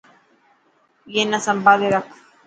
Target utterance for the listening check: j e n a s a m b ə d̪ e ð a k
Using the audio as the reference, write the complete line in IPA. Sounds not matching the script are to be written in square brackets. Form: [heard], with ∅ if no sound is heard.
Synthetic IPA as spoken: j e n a s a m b [a] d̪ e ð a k